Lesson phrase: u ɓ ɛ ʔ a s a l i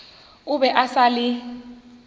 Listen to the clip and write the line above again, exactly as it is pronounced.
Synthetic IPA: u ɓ ɛ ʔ a s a l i